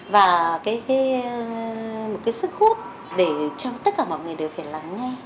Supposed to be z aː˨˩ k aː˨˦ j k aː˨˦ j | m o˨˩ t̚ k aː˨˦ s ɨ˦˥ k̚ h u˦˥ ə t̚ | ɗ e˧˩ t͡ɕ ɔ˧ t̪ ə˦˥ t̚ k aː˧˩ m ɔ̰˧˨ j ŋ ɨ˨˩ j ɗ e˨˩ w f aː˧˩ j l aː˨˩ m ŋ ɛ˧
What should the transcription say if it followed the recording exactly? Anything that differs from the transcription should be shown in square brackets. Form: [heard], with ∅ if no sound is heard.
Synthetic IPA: [v] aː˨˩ k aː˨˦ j k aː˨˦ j | m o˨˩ t̚ k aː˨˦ s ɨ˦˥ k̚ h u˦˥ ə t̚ | ɗ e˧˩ t͡ɕ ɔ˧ t̪ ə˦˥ t̚ k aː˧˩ m ɔ̰˧˨ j ŋ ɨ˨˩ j ɗ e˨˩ w f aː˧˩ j l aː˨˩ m ŋ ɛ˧

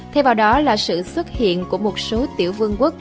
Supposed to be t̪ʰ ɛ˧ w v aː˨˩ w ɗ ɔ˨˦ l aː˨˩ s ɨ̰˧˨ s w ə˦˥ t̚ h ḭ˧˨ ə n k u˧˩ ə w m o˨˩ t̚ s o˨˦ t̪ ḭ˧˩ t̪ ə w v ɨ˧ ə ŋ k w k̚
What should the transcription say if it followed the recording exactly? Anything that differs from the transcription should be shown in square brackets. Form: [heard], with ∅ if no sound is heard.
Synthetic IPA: t̪ʰ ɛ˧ w v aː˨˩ w ɗ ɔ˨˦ l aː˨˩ s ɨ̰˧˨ s w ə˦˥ t̚ h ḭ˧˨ ə n k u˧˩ ə [∅] m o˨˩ t̚ s o˨˦ t̪ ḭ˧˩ [∅] ə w v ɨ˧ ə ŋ k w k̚

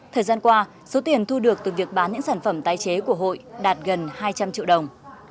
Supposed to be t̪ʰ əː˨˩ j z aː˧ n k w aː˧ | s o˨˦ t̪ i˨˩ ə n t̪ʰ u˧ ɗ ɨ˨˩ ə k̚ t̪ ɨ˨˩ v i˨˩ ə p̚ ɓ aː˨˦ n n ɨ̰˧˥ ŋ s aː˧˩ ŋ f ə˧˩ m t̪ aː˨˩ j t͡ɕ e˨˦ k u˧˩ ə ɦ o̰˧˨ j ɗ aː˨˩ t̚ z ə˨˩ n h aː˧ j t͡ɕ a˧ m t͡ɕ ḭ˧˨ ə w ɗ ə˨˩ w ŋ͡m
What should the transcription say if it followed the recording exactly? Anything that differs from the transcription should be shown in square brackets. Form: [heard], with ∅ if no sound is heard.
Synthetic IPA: t̪ʰ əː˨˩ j z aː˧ n k w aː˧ | s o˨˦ t̪ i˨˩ ə n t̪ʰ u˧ ɗ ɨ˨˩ ə k̚ t̪ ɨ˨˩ v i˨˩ ə [k̚] ɓ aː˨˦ n [ɲ] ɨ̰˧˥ ŋ s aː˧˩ [n] f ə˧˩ m t̪ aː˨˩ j t͡ɕ e˨˦ k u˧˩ ə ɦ o̰˧˨ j ɗ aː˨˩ t̚ [ɣ] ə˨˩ n h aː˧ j t͡ɕ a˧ m t͡ɕ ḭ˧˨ ə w ɗ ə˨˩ w ŋ͡m

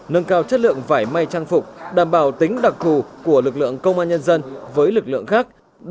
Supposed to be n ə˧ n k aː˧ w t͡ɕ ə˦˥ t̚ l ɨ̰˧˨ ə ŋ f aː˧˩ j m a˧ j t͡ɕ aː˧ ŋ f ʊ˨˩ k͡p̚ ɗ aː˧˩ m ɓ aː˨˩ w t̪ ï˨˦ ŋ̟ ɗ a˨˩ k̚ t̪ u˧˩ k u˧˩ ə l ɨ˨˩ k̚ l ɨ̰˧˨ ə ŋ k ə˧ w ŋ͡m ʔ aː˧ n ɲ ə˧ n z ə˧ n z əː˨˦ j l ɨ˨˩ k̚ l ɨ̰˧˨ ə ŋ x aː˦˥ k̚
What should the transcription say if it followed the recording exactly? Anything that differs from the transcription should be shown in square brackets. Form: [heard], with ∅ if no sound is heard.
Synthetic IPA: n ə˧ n k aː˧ w t͡ɕ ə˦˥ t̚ l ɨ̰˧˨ ə ŋ [v] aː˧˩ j m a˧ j t͡ɕ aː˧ ŋ f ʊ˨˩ k͡p̚ ɗ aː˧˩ m ɓ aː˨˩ w t̪ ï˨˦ ŋ̟ ɗ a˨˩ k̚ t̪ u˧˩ k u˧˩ ə l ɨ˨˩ k̚ l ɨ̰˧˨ ə ŋ k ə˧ w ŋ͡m ʔ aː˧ n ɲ ə˧ n z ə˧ n [v] əː˨˦ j l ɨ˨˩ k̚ l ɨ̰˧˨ ə ŋ x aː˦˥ k̚

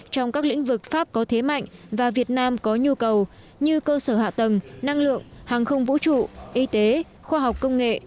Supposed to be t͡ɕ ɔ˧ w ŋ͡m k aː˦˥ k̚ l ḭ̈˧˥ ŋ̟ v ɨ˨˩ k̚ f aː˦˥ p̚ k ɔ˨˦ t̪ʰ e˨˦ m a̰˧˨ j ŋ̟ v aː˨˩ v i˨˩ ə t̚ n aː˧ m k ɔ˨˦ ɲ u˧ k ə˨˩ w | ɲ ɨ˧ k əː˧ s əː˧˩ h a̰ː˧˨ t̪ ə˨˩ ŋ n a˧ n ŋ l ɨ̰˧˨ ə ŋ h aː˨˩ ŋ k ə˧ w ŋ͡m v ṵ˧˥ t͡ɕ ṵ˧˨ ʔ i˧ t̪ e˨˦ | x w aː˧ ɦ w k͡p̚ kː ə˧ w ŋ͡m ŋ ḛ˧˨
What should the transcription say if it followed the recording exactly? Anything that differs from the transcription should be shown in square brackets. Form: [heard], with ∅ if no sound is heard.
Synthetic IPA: t͡ɕ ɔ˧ w ŋ͡m k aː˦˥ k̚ l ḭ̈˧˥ ŋ̟ v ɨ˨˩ k̚ f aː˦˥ p̚ k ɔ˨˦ t̪ʰ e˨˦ m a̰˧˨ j ŋ̟ v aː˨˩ v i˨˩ ə t̚ n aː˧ m k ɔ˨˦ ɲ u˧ k ə˨˩ w | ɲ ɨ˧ k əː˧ s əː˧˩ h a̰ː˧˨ t̪ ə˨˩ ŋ n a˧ [∅] ŋ l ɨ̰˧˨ ə ŋ h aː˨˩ ŋ [x] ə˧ w ŋ͡m v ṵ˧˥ t͡ɕ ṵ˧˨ ʔ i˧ t̪ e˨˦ | x w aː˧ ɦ w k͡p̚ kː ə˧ w ŋ͡m ŋ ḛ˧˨

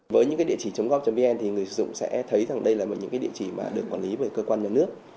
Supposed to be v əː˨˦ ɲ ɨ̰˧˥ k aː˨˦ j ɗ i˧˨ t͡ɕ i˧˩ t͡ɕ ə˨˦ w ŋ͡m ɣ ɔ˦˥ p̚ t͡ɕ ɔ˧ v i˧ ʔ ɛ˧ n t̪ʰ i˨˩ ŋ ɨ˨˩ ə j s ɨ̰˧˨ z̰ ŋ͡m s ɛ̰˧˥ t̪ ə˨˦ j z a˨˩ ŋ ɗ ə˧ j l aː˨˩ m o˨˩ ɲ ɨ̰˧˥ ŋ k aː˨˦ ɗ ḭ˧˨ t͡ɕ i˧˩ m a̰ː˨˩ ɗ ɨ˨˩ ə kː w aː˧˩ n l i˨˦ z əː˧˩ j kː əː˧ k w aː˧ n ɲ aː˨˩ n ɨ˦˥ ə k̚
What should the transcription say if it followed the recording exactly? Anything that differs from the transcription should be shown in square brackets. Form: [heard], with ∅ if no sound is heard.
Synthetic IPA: v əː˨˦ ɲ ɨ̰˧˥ k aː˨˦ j ɗ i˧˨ t͡ɕ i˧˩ t͡ɕ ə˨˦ w ŋ͡m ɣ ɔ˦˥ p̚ t͡ɕ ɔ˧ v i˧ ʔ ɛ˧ n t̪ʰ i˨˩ ŋ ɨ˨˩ ə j s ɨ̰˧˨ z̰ ŋ͡m s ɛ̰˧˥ [t̪ʰ] ə˨˦ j z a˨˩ ŋ ɗ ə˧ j l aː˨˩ m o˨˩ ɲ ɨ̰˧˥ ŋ k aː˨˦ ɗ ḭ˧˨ t͡ɕ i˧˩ m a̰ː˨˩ ɗ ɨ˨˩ ə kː w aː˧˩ n l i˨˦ [v] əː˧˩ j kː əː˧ k w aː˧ n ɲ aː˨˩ n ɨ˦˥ ə k̚

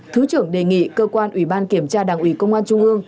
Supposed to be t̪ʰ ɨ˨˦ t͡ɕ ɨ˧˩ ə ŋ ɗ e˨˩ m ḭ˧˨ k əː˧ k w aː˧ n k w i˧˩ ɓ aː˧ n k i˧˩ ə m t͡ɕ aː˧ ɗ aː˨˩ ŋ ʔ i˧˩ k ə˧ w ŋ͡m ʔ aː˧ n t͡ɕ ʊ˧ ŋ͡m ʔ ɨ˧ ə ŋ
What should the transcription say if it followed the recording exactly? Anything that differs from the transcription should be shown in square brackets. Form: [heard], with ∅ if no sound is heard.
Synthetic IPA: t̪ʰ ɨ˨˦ t͡ɕ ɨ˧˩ ə ŋ ɗ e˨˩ [ŋ] ḭ˧˨ k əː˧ k w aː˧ n [ʔ] w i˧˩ ɓ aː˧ n k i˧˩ ə m t͡ɕ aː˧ ɗ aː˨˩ ŋ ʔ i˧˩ k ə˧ w ŋ͡m ʔ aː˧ n t͡ɕ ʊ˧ ŋ͡m ʔ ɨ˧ ə ŋ

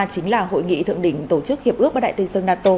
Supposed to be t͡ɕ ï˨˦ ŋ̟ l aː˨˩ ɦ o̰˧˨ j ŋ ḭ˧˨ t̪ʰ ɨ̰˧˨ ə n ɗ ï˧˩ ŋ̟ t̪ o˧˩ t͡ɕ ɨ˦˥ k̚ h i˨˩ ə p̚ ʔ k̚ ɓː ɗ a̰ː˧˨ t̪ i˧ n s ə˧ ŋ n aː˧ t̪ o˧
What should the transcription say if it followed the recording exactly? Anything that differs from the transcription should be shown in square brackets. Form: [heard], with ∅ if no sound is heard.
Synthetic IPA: t͡ɕ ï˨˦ ŋ̟ l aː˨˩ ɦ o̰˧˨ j ŋ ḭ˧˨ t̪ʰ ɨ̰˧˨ ə [ŋ] ɗ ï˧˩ ŋ̟ t̪ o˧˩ t͡ɕ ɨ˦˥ k̚ h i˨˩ ə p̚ ʔ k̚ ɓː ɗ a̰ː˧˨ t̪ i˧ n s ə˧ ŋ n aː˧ t̪ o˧

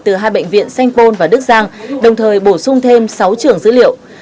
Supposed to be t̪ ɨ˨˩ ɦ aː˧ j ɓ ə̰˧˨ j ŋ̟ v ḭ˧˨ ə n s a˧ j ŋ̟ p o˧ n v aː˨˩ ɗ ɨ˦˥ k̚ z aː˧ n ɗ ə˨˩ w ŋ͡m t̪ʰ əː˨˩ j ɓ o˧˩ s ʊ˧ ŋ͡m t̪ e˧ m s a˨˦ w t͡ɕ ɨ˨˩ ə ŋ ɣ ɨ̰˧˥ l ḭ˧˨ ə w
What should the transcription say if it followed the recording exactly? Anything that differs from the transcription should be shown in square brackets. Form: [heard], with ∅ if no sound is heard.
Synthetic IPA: t̪ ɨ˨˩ ɦ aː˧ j ɓ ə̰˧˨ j ŋ̟ v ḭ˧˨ ə n s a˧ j ŋ̟ p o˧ n v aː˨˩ ɗ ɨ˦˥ k̚ z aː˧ [ŋ] ɗ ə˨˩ w ŋ͡m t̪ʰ əː˨˩ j ɓ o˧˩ s ʊ˧ ŋ͡m [t̪ʰ] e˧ m s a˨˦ w t͡ɕ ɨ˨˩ ə ŋ [z] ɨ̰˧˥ l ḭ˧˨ ə w

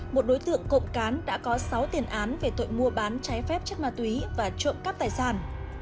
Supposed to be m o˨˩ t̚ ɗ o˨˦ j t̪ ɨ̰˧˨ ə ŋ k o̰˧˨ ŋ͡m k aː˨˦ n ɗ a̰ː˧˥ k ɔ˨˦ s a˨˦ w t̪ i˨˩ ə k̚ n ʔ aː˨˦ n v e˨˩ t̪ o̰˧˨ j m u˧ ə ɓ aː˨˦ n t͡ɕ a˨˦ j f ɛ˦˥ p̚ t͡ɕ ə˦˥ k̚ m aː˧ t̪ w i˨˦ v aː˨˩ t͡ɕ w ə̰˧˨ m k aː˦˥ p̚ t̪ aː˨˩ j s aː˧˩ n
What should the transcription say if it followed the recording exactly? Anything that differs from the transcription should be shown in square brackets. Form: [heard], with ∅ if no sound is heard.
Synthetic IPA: m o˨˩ t̚ ɗ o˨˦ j t̪ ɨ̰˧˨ ə ŋ k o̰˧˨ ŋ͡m k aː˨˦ n ɗ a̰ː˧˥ k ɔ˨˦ s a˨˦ w t̪ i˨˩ ə [∅] n ʔ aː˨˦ n v e˨˩ t̪ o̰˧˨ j m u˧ ə ɓ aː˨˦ n t͡ɕ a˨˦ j f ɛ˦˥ p̚ t͡ɕ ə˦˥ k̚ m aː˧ t̪ w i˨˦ v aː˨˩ t͡ɕ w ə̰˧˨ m k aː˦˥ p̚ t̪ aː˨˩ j s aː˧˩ n

